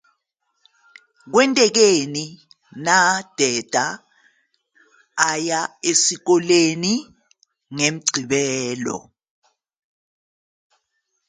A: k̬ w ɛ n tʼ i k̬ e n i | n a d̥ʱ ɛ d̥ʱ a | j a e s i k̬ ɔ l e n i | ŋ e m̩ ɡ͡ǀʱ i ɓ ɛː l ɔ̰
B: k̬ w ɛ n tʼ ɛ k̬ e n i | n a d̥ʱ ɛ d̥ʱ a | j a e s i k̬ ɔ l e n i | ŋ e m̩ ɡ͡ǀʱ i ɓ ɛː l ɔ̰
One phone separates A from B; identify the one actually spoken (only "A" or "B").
B